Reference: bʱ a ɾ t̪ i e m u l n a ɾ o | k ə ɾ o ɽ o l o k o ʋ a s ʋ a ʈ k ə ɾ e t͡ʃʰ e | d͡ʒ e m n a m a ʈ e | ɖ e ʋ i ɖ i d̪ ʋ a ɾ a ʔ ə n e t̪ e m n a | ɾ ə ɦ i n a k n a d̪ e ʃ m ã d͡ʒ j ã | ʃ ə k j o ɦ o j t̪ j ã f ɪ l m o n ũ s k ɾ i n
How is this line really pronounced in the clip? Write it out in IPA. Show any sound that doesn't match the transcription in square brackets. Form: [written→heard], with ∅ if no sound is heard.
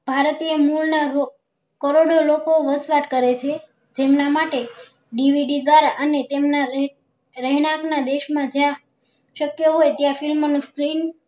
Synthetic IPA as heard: bʱ a ɾ t̪ i e m u l n a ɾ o | k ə ɾ o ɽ o l o k o ʋ [a→ə] s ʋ a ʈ k ə ɾ e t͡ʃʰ e | d͡ʒ e m n a m a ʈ e | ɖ [e→i] ʋ i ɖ i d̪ ʋ a ɾ a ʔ ə n e t̪ e m n a | ɾ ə ɦ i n a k n a d̪ e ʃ m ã d͡ʒ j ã | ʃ ə k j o ɦ o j t̪ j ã f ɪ l m o n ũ s k ɾ i n